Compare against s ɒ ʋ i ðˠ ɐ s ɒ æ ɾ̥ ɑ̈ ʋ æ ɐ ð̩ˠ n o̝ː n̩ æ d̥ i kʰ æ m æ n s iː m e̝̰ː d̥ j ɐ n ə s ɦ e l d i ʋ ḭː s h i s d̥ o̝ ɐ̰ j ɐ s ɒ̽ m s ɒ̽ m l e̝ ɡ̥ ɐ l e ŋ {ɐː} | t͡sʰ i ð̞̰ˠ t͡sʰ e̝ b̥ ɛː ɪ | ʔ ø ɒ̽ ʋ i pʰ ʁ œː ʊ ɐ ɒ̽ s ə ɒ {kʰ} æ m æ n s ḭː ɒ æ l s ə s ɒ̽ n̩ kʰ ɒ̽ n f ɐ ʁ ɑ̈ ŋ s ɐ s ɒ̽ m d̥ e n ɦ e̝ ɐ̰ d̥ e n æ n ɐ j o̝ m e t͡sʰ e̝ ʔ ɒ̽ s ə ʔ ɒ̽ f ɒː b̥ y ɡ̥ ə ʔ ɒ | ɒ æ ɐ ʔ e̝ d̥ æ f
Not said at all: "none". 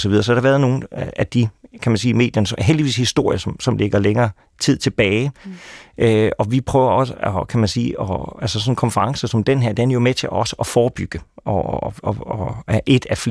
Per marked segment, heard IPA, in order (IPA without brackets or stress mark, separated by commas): ɐː, kʰ